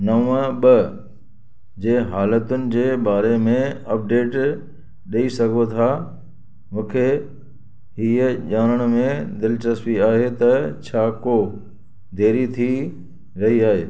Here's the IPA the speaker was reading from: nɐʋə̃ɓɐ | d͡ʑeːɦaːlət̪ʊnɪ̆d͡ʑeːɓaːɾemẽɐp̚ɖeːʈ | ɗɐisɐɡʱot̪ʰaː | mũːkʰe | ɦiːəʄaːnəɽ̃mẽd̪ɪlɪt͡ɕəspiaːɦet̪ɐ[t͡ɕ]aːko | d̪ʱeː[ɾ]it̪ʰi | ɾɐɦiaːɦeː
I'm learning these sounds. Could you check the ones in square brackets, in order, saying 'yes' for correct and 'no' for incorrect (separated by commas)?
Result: no, yes